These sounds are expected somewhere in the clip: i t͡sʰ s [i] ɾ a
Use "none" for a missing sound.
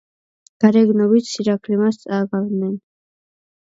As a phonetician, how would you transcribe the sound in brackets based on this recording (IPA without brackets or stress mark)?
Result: i